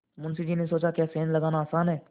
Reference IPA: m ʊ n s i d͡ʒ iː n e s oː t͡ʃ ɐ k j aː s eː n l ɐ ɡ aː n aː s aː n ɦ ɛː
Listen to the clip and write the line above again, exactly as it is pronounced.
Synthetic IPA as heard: m ʊ n s i d͡ʒ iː n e s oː t͡ʃ a k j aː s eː n l ɐ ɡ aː n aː s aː n ɦ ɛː